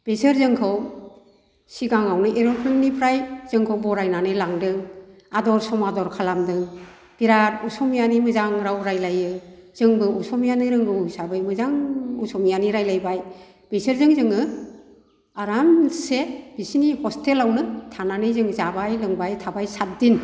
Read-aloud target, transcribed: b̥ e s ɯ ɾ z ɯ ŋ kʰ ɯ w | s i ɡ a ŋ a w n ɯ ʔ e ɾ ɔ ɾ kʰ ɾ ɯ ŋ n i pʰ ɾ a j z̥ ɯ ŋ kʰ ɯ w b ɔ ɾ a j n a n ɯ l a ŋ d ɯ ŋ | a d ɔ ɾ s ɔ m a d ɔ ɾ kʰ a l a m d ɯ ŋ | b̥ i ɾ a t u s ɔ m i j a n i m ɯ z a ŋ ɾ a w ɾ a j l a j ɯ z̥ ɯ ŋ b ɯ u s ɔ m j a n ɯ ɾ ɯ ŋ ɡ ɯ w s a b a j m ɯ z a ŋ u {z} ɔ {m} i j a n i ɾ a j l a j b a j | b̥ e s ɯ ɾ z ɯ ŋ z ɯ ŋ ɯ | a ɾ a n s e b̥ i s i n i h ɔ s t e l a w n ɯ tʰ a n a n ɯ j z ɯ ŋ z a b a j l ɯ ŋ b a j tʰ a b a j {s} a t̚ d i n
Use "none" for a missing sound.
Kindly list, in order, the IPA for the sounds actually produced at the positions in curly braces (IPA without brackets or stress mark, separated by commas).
s, m, s